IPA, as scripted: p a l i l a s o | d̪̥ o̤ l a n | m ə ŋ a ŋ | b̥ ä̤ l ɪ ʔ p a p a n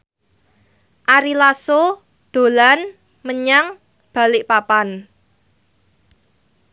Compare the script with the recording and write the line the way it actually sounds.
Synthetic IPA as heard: ʔ a ɾ i l a s o | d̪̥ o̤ l a n | m ə ɲ a ŋ | b̥ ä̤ l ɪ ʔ p a p a n